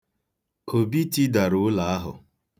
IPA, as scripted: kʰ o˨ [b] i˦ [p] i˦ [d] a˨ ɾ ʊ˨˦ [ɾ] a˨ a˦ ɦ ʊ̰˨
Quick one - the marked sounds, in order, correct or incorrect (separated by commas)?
correct, incorrect, correct, incorrect